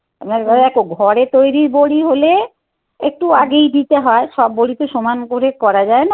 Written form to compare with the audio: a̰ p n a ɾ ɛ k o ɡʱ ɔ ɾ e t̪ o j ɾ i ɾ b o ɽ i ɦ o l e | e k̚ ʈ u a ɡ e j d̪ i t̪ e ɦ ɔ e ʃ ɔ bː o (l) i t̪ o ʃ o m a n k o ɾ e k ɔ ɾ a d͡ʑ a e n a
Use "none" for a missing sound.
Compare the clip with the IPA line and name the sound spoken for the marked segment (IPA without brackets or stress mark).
ɽ